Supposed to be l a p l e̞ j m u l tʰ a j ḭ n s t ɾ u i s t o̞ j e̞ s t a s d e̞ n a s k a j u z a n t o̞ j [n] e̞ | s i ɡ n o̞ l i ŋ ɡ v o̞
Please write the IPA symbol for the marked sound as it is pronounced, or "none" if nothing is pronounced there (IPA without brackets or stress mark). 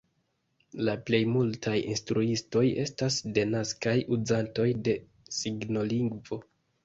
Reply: d